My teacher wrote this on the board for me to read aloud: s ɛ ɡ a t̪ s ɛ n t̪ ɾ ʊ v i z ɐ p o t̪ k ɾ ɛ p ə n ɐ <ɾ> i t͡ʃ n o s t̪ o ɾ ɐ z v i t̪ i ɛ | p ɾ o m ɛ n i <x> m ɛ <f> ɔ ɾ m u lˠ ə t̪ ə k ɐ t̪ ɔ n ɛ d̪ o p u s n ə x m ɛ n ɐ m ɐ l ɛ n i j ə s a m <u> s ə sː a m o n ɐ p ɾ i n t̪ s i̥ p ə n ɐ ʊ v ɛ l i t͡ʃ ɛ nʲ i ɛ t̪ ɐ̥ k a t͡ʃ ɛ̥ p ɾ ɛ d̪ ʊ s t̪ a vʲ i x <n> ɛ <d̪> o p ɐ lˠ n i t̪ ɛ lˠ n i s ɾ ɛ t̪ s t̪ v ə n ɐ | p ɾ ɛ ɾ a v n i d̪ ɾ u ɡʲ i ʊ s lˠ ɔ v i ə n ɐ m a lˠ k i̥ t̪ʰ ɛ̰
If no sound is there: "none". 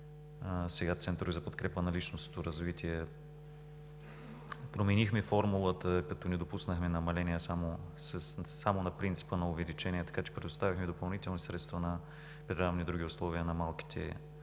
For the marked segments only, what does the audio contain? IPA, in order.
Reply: l, x, f, o, m, d̪

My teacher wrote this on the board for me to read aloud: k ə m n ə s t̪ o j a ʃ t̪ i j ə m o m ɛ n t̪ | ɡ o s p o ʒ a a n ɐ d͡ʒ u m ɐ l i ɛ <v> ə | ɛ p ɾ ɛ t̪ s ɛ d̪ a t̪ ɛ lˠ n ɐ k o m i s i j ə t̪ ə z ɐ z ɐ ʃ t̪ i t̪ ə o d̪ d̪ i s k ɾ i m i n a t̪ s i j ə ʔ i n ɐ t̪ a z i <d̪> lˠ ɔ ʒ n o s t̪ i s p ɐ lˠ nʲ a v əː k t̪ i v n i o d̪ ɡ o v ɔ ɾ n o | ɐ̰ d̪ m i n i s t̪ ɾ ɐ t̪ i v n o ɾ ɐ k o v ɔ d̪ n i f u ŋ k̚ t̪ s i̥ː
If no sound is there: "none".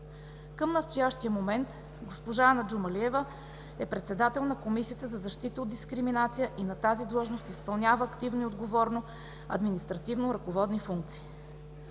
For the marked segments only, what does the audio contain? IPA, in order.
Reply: v, d̪

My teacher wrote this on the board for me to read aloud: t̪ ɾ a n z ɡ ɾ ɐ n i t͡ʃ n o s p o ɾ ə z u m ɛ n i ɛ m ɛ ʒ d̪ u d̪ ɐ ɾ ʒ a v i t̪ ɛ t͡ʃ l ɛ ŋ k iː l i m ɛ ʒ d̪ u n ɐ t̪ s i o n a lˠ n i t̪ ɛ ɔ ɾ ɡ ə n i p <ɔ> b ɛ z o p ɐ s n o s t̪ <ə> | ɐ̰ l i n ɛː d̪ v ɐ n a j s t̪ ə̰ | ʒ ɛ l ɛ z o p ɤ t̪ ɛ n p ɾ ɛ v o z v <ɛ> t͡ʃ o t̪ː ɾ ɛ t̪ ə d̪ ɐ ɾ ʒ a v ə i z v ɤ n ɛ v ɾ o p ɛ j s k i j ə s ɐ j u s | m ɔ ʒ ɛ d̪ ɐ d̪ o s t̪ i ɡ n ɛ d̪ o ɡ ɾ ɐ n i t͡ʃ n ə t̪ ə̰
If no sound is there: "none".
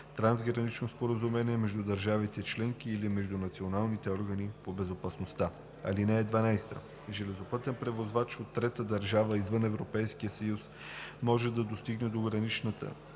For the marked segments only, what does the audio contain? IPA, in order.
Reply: o, a, a

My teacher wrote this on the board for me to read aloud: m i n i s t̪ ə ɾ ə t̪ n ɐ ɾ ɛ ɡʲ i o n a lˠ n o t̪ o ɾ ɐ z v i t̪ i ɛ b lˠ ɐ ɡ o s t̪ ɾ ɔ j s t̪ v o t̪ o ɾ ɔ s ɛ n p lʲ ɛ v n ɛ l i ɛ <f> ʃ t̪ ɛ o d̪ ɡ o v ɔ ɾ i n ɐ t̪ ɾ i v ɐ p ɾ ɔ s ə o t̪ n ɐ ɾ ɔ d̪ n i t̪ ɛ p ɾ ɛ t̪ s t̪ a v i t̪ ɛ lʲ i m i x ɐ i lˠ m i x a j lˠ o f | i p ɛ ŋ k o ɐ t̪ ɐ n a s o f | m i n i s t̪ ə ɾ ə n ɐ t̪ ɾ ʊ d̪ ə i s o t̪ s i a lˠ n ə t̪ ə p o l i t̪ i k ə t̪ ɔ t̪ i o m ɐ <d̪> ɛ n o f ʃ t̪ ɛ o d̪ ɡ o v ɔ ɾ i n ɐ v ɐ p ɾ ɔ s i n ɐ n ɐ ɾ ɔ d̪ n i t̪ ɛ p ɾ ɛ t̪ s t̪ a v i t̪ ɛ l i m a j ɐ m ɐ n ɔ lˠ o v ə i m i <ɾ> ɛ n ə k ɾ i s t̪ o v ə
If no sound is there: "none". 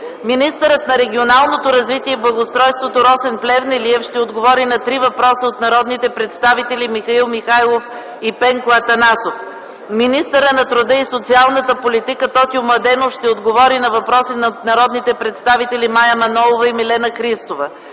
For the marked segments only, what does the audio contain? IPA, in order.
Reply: f, d̪, l

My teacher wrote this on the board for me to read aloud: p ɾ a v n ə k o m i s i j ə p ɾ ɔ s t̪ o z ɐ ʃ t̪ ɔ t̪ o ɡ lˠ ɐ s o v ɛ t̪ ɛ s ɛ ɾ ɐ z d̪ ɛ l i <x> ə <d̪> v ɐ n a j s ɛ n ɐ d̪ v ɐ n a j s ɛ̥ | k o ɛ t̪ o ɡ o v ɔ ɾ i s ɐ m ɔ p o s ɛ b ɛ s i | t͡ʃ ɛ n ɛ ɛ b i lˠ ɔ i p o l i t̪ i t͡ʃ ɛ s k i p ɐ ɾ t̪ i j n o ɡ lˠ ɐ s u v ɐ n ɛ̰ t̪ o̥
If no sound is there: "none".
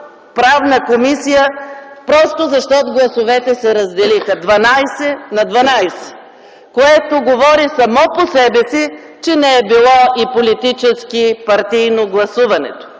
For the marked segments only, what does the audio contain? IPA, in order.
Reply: x, d̪

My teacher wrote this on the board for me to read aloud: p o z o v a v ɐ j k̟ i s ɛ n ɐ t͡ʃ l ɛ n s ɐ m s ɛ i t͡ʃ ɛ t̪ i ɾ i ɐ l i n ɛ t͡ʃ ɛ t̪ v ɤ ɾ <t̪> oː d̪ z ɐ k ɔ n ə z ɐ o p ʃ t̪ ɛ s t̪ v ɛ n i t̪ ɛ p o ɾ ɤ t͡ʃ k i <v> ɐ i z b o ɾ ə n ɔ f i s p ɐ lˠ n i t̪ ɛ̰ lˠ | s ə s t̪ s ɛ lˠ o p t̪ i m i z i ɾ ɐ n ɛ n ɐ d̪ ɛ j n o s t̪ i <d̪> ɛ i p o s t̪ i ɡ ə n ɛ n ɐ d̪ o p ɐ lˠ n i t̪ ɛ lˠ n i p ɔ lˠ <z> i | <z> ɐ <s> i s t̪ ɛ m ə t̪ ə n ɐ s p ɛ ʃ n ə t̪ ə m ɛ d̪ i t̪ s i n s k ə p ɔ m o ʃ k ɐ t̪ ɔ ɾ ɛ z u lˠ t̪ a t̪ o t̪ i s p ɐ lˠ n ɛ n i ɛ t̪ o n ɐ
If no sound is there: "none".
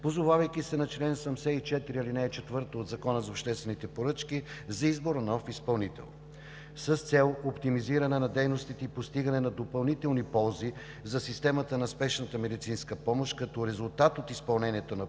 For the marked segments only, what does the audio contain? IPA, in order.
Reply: t̪, z, t̪, z, z, s

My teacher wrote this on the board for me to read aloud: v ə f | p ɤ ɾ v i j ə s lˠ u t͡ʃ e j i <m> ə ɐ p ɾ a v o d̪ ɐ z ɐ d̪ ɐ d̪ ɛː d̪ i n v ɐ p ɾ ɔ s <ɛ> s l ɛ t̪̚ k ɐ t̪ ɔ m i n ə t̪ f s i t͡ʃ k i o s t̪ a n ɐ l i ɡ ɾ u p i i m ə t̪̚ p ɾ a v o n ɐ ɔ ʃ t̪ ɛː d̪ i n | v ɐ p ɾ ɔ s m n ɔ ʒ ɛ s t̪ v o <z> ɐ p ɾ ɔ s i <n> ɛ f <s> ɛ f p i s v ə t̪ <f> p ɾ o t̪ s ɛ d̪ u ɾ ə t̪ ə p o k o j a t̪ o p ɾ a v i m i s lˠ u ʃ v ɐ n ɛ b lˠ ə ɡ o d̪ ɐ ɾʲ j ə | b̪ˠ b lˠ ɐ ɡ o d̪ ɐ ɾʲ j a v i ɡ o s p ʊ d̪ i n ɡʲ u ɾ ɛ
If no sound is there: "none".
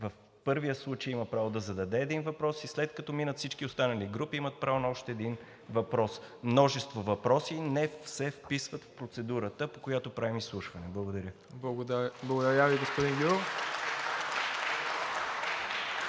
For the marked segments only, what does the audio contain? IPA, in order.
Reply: m, i, v, n, s, f

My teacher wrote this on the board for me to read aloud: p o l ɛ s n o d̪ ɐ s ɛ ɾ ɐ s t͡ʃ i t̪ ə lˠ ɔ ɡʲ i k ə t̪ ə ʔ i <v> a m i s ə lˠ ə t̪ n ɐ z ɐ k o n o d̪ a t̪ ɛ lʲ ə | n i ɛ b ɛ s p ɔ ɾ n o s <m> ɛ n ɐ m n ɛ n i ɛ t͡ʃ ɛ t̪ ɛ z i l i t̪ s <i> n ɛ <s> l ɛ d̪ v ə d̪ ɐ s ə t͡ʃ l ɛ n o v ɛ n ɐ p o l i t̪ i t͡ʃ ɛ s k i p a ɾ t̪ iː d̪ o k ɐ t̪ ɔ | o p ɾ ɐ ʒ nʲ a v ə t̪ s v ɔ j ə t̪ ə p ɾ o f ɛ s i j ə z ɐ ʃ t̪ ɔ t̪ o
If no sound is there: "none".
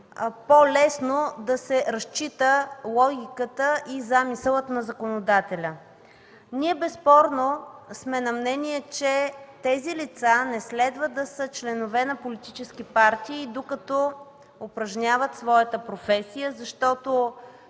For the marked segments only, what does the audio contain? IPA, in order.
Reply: z, m, a, s

